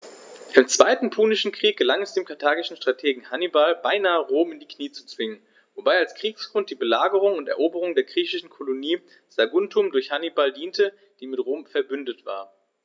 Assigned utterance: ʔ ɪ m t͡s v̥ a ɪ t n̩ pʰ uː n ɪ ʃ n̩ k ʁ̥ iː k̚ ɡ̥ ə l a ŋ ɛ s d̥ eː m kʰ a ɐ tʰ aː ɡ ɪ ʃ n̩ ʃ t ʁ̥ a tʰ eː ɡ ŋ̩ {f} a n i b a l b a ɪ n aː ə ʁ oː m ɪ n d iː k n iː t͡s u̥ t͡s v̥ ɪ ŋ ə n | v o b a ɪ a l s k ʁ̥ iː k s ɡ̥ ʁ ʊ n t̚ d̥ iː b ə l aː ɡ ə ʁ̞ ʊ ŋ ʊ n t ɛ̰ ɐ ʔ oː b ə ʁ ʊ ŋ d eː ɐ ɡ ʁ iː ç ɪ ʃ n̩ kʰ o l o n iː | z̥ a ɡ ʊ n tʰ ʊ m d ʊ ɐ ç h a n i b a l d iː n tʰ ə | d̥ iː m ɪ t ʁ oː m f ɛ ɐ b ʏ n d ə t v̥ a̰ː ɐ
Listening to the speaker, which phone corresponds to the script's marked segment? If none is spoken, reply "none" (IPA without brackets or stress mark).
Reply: h